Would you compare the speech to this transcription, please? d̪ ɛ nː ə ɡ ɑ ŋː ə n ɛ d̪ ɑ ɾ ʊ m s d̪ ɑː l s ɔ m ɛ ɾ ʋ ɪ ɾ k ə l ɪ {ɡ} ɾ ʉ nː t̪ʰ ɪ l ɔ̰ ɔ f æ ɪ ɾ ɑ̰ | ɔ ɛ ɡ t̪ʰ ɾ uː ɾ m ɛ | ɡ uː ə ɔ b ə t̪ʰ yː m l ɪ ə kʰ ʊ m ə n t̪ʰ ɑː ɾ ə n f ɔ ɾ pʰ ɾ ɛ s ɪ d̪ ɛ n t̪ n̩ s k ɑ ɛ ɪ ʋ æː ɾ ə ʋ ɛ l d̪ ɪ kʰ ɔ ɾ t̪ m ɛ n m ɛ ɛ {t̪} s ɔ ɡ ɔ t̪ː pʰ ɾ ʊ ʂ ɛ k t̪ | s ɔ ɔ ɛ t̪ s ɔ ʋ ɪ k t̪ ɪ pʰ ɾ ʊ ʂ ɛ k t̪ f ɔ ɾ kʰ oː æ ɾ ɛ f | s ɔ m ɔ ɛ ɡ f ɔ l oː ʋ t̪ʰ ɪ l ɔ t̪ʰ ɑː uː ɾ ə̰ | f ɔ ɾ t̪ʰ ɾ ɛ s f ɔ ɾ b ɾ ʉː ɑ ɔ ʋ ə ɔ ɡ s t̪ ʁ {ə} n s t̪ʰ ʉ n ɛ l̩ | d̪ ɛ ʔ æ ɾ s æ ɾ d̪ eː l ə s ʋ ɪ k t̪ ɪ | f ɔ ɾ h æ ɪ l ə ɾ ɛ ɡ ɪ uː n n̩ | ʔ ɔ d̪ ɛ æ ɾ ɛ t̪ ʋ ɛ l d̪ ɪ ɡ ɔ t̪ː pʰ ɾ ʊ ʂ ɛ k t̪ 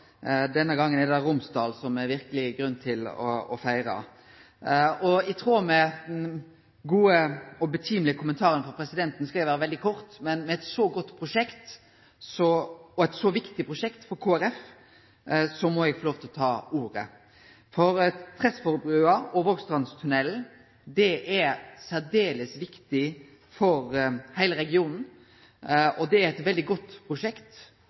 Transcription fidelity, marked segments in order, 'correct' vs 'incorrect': correct, correct, incorrect: ɑ

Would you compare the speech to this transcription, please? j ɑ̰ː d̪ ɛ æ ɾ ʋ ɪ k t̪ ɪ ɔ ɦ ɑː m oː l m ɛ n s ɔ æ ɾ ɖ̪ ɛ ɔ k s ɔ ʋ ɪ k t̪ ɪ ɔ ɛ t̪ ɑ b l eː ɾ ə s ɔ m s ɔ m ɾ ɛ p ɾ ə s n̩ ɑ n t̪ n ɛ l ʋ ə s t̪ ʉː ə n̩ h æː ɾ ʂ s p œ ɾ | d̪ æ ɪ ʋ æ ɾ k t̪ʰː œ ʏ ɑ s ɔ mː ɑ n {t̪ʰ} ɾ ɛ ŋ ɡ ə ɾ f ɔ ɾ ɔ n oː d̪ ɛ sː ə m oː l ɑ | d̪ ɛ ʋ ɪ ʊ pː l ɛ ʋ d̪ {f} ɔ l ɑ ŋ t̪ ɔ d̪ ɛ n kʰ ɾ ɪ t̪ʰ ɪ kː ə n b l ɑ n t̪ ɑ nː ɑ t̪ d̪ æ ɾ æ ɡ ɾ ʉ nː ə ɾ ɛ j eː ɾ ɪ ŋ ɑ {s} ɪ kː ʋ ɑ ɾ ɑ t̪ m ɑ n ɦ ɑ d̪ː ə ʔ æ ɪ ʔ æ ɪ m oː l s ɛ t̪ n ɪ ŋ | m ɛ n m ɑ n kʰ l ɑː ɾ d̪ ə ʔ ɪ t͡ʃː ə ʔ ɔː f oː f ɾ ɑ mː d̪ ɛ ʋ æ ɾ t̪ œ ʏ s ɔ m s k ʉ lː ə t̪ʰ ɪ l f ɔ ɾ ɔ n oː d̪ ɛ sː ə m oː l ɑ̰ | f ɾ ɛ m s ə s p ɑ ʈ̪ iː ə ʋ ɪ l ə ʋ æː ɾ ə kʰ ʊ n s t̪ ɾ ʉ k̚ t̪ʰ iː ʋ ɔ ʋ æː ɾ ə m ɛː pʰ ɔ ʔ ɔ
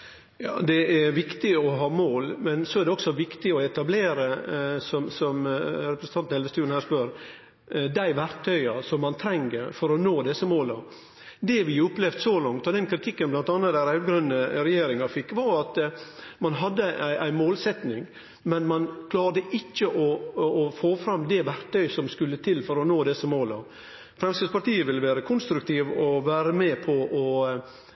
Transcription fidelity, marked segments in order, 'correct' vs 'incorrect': correct, incorrect: s, incorrect: f

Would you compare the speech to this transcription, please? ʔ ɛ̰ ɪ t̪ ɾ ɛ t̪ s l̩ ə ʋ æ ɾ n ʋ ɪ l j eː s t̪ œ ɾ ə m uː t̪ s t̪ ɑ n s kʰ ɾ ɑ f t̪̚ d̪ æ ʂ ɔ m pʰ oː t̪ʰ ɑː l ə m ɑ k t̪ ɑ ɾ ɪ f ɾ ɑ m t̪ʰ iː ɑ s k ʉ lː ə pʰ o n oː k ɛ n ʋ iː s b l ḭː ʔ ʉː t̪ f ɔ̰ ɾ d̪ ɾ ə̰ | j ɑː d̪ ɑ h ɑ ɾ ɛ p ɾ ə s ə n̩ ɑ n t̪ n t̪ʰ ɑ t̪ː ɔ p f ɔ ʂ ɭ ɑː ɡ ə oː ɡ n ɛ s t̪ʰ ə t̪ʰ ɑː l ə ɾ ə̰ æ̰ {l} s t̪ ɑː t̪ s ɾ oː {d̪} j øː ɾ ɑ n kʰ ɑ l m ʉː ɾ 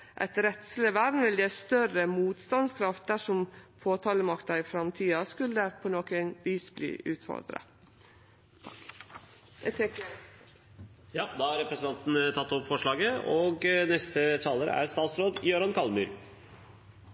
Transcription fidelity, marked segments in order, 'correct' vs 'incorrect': incorrect: ɾ, correct

